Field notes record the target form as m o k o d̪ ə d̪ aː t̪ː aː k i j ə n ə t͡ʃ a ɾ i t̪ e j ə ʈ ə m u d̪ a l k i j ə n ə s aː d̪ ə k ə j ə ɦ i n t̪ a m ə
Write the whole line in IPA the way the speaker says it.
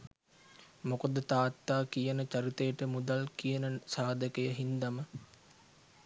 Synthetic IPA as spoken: m o k o d̪ ə t̪ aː t̪ː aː k i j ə n ə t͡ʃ a ɾ i t̪ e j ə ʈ ə m u d̪ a l k i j ə n ə s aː d̪ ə k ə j ə ɦ i n d̪ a m ə